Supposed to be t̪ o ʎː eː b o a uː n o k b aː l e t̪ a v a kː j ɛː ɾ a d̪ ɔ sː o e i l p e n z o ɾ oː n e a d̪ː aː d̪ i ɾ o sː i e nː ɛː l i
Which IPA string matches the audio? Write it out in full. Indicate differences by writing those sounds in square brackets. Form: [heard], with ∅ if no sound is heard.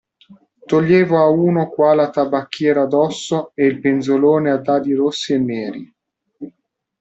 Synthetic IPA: t̪ o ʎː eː [v] o a uː n o k [w] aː l [a] t̪ a [b] a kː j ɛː ɾ a d̪ ɔ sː o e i l p e n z o [l] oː n e a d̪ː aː d̪ i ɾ o sː i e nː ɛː [ɾ] i

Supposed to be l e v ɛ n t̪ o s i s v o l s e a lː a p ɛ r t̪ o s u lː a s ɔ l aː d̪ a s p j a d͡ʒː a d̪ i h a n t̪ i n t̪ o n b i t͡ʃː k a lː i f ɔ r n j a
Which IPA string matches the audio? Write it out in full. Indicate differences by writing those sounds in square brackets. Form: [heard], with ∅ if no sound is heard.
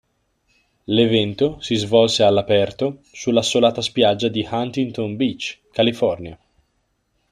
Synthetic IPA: l e v ɛ n t̪ o s i [z] v [ɔ] l s e a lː a p ɛ r t̪ o s u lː a s [o] l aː [t̪] a s p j a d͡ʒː a d̪ i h a n t̪ i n t̪ o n b i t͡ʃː k a [l] i f ɔ r n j a

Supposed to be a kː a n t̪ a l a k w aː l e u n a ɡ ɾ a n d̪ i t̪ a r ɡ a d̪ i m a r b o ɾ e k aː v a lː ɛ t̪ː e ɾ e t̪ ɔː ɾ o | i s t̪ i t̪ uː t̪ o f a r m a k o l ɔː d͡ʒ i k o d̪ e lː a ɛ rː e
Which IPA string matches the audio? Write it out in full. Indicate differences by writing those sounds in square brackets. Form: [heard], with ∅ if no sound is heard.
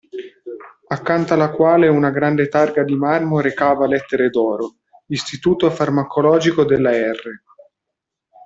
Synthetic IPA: a kː a n t̪ a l a k w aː l e u n a ɡ ɾ a n d̪ [e] t̪ a r ɡ a d̪ i m a r [m] o ɾ e k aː v a [l] ɛ t̪ː e ɾ e [d̪] ɔː ɾ o | i s t̪ i t̪ uː t̪ o f a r m a k o l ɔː d͡ʒ i k o d̪ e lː a ɛ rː e

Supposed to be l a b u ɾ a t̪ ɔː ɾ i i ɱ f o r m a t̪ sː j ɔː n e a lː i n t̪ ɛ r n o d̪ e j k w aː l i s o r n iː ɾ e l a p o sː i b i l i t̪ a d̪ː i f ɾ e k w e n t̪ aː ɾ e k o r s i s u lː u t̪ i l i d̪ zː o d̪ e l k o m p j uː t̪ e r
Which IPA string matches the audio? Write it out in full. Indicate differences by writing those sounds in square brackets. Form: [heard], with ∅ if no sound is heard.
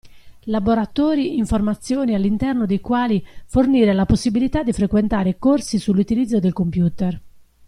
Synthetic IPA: l a b [o] ɾ a t̪ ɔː ɾ i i ɱ f o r m a t̪ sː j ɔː n [i] a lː i n t̪ ɛ r n o d̪ e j k w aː l i [f] o r n iː ɾ e l a p o sː i b i l i t̪ a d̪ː i f ɾ e k w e n t̪ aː ɾ e k o r s i s u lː u t̪ i l i d̪ zː o d̪ e l k o m p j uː t̪ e r

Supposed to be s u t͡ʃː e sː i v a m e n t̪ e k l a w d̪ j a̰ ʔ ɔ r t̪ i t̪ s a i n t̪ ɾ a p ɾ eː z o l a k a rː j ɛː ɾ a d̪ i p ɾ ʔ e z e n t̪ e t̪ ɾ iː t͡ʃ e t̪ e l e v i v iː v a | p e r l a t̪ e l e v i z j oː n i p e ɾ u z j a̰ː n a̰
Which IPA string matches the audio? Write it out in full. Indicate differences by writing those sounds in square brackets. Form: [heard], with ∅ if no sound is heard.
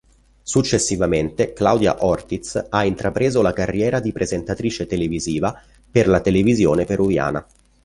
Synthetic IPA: s u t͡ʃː e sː i v a m e n t̪ e k l a w d̪ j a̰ ʔ ɔ r t̪ i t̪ s a i n t̪ ɾ a p ɾ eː z o l a k a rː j ɛː ɾ a d̪ i p ɾ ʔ e z e n t̪ [a] t̪ ɾ iː t͡ʃ e t̪ e l e v i [z] iː v a | p e r l a t̪ e l e v i z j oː n [e] p e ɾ u [v] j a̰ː n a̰

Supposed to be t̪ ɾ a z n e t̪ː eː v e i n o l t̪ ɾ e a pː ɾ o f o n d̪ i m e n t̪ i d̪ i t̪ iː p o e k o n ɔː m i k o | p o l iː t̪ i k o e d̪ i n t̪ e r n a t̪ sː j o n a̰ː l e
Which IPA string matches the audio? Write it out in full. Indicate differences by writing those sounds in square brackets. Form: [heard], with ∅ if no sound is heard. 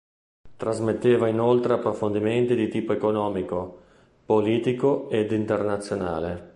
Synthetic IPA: t̪ ɾ a z [m] e t̪ː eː v [a] i n o l t̪ ɾ e a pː ɾ o f o n d̪ i m e n t̪ i d̪ i t̪ iː p o e k o n ɔː m i k o | p o l iː t̪ i k o e d̪ i n t̪ e r n a t̪ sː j o n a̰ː l e

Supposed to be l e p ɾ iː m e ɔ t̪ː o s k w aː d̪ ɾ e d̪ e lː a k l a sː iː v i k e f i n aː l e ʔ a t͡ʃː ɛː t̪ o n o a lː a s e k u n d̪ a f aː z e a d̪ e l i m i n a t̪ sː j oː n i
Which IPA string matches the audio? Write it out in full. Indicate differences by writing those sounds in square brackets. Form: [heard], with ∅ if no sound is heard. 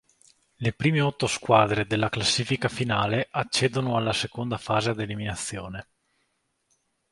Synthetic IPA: l e p ɾ iː m e ɔ t̪ː o s k w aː d̪ ɾ e d̪ e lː a k l a sː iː [f] i k [a] f i n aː l e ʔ a t͡ʃː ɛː [d̪] o n o a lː a s e k [o] n d̪ a f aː z e a d̪ e l i m i n a t̪ sː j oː n [e]

